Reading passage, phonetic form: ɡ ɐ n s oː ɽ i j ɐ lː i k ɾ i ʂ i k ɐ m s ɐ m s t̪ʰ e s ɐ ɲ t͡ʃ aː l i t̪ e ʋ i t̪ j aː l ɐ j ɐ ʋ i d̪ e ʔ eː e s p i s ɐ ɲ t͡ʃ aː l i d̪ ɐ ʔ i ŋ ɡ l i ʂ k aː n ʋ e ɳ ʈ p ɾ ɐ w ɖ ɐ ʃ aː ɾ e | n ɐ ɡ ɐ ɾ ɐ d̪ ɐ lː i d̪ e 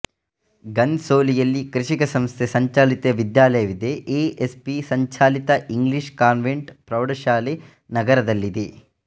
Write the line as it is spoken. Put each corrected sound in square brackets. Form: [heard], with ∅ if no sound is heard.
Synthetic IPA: ɡ ɐ n s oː [l] i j ɐ lː i k ɾ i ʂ i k ɐ [∅] s ɐ m s t̪ʰ e s ɐ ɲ t͡ʃ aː l i t̪ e ʋ i [d̪] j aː l ɐ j ɐ ʋ i d̪ e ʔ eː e s p i s ɐ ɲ t͡ʃ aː l i [t̪] ɐ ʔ i ŋ ɡ l i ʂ k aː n ʋ e ɳ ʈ p ɾ ɐ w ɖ ɐ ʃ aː [l] e | n ɐ ɡ ɐ ɾ ɐ d̪ ɐ lː i d̪ e